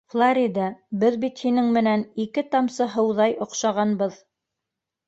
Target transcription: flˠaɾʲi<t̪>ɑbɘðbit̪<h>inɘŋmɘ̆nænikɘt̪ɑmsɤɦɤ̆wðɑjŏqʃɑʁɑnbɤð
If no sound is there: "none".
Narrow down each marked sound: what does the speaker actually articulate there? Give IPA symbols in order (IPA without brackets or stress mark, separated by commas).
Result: d̪, h